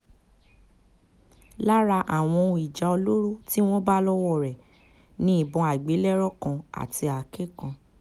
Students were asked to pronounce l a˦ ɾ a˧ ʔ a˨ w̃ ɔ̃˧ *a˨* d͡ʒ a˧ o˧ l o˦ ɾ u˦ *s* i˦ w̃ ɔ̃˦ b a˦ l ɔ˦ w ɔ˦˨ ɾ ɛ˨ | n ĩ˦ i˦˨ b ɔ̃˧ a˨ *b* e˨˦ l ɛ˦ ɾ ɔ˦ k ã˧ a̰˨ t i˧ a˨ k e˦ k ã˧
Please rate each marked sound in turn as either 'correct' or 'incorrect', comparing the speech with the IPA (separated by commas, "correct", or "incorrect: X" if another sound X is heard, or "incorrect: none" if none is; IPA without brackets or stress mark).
incorrect: i˨, incorrect: t, incorrect: ɡ͡b